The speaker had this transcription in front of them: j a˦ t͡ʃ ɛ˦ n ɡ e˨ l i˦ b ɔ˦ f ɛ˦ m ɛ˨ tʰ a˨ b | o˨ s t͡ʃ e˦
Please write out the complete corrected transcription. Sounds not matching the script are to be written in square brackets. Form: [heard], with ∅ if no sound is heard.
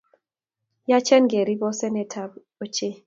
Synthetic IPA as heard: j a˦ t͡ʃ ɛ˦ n ɡ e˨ [ɾ] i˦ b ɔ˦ [s] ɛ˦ [n] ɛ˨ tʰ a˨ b | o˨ [∅] t͡ʃ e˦